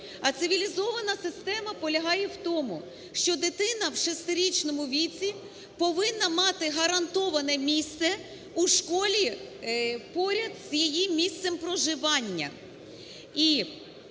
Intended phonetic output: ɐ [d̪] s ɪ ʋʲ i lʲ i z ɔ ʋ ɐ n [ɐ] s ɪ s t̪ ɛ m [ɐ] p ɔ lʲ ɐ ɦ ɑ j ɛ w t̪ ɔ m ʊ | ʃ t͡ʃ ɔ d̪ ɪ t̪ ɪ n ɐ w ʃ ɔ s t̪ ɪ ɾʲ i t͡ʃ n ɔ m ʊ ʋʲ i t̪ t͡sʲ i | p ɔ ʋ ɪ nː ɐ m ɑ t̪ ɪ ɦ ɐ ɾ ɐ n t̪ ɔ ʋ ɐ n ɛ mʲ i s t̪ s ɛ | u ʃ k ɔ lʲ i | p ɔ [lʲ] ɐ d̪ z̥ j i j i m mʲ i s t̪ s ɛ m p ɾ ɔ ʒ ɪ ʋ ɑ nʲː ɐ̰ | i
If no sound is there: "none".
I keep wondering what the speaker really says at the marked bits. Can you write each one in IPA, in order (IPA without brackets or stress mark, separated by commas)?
t̪, ɐ, ɐ, ɾʲ